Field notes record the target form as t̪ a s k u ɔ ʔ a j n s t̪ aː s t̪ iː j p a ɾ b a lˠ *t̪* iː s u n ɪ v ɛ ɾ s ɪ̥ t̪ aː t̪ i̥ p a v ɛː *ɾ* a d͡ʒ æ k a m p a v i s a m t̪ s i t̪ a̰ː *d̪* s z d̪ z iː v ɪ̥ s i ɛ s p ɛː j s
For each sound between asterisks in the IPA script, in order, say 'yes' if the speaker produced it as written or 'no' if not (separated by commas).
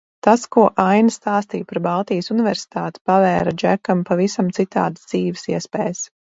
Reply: yes, yes, yes